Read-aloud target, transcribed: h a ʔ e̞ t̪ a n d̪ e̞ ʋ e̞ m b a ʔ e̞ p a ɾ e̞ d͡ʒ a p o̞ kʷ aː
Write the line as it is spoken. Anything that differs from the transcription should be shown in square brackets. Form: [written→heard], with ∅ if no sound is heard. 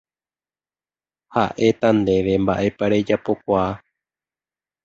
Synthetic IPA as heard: h a ʔ e̞ t̪ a n d̪ e̞ ʋ e̞ m b a ʔ e̞ p a ɾ e̞ d͡ʒ a p o̞ kʷ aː